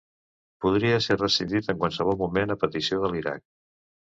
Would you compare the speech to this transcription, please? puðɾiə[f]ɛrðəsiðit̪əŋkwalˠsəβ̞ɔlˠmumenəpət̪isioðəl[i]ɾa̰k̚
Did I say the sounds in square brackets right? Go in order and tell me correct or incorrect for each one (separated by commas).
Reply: incorrect, correct